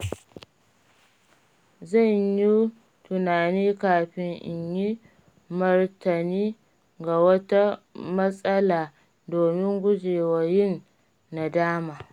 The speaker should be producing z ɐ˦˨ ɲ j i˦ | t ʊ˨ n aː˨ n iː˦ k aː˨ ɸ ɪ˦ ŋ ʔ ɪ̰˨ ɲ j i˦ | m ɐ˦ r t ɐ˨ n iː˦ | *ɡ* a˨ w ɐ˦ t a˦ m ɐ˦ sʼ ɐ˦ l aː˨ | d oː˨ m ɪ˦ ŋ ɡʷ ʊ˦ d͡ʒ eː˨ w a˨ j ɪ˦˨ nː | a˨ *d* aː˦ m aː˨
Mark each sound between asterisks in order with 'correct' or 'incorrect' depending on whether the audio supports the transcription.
correct, correct

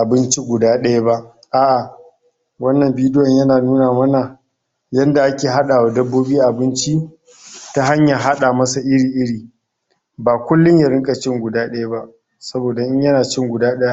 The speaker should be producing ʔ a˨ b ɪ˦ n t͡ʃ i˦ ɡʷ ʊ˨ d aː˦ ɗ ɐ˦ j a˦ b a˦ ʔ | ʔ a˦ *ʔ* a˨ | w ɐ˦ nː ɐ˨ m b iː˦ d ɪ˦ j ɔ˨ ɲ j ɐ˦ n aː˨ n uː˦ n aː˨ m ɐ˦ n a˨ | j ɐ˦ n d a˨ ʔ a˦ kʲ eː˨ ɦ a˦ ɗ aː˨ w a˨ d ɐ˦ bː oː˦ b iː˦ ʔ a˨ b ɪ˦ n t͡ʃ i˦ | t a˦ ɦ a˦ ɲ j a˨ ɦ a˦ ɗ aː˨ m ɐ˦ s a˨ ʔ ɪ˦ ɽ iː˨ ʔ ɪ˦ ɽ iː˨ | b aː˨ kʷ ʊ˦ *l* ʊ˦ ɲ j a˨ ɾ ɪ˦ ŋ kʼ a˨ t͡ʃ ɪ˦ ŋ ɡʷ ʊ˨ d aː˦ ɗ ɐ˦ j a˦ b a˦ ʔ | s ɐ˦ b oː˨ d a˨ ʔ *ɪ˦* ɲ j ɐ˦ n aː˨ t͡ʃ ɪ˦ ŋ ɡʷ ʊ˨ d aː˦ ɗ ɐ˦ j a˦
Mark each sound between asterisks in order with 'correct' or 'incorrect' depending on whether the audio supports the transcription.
correct, incorrect: lː, correct

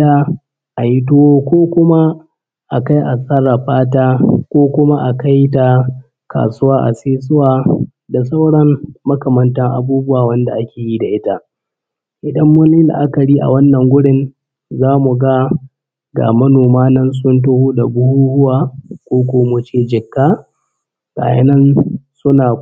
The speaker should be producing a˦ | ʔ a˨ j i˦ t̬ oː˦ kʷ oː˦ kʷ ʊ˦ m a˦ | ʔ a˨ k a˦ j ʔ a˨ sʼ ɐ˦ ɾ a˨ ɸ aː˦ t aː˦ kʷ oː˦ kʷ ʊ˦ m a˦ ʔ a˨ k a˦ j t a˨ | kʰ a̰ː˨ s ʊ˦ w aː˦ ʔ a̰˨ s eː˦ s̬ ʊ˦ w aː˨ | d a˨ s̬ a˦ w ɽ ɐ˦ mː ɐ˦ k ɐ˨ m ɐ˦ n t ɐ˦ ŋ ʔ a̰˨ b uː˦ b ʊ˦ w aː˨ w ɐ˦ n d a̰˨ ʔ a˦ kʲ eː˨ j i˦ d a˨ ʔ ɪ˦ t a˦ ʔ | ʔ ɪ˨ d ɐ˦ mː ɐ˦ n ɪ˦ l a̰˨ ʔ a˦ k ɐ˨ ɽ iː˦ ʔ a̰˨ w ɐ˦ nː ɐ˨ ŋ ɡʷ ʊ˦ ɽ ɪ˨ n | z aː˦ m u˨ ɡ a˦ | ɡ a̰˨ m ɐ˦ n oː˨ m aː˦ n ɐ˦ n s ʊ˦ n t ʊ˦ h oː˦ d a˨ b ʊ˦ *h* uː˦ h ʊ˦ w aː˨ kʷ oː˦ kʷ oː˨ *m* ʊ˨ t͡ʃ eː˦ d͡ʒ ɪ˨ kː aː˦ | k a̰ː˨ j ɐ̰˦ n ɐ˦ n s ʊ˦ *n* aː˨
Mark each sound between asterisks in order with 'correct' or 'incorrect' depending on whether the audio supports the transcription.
correct, correct, correct

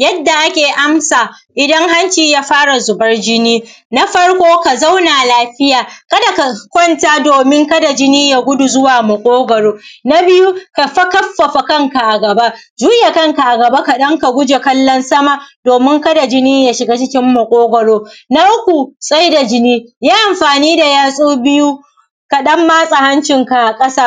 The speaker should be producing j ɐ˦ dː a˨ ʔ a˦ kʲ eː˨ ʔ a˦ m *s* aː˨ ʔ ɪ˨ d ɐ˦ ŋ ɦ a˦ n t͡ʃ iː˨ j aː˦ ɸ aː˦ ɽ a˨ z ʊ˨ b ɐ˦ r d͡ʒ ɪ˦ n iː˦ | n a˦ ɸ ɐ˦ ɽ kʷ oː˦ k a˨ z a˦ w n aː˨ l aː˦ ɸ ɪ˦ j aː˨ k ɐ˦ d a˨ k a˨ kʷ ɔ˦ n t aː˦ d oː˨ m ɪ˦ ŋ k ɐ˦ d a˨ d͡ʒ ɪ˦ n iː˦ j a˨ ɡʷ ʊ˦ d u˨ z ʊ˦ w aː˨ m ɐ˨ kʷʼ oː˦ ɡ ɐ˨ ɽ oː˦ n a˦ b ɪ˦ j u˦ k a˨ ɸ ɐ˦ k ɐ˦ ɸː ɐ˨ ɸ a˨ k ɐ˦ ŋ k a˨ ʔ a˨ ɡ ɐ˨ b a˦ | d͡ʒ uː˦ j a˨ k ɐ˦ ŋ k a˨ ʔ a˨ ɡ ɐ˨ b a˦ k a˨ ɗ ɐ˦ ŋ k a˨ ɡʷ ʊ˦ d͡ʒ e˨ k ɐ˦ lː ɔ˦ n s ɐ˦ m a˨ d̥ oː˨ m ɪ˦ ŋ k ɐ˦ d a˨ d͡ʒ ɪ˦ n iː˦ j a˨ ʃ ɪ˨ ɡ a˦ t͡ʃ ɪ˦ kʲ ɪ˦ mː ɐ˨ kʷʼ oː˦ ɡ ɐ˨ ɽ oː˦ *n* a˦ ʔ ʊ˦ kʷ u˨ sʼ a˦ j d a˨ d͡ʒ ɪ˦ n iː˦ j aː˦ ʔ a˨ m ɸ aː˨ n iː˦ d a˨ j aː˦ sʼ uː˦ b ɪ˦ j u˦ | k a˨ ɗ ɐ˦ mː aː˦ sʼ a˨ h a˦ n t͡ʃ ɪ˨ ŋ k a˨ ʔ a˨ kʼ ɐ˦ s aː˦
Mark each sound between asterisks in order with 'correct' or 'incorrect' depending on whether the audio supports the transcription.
correct, correct

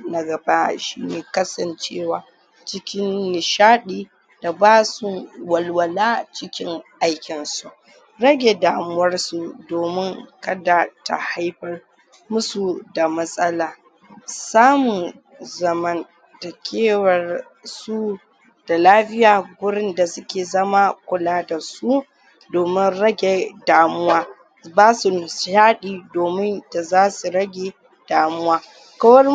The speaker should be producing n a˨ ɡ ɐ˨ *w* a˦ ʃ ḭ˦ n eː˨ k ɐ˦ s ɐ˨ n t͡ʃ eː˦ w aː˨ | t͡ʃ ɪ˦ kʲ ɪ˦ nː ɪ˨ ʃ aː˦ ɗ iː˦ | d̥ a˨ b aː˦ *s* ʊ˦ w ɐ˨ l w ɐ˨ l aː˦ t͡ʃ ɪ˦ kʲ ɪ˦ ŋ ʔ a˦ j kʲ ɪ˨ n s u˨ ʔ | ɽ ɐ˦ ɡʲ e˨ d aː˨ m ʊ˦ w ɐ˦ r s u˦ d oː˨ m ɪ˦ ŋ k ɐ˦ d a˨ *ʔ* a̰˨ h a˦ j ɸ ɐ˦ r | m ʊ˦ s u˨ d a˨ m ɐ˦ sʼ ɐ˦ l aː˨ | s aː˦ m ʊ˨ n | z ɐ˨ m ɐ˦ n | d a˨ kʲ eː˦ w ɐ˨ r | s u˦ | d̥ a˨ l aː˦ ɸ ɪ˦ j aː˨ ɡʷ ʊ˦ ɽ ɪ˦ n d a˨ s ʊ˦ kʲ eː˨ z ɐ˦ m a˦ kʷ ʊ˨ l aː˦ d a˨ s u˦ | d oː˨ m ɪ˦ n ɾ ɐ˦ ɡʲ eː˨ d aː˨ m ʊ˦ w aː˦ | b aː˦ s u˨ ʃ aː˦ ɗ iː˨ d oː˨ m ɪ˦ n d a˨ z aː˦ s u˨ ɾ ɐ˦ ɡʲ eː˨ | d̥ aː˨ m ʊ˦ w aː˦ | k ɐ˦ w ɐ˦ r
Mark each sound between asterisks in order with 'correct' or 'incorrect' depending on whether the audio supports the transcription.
incorrect: b, correct, incorrect: t

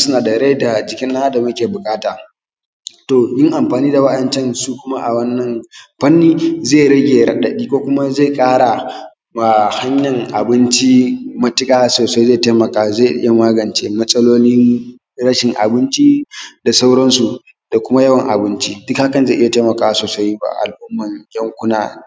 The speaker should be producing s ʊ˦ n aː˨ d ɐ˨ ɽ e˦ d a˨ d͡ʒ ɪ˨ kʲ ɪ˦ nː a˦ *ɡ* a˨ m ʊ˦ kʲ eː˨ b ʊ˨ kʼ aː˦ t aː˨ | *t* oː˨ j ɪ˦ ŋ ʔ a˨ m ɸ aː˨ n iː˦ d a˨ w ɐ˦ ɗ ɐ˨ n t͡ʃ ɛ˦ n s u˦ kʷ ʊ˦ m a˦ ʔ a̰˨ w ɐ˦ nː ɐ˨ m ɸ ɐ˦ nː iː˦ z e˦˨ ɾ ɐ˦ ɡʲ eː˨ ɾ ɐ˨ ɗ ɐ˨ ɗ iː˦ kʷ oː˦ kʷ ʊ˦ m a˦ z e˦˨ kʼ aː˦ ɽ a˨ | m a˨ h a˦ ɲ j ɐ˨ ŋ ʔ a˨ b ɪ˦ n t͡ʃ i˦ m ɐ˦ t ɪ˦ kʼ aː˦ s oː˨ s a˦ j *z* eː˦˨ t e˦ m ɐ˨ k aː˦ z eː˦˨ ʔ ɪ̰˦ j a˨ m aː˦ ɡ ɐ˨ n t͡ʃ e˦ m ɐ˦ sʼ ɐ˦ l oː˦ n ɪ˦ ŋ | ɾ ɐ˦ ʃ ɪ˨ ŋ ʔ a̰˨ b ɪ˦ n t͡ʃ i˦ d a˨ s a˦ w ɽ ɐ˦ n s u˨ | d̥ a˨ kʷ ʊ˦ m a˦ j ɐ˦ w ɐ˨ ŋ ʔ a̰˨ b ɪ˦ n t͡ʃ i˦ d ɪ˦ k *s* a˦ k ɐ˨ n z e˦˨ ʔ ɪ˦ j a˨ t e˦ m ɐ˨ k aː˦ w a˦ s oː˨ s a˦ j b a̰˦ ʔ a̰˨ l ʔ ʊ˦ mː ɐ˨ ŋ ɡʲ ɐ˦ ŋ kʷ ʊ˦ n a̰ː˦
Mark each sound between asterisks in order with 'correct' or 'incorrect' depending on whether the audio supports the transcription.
incorrect: d, correct, correct, incorrect: h

